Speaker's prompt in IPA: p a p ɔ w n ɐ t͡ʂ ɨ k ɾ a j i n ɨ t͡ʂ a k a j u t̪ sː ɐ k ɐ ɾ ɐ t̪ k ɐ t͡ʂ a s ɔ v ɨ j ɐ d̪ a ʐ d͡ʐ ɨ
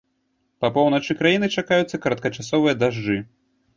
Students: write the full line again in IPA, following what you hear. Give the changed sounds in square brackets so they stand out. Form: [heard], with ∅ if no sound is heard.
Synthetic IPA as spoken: p [ɐ] p ɔ w n ɐ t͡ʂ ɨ k ɾ a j i n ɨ t͡ʂ a k a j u t̪ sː ɐ k ɐ ɾ ɐ t̪ k ɐ t͡ʂ a s ɔ v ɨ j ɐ d̪ a ʐ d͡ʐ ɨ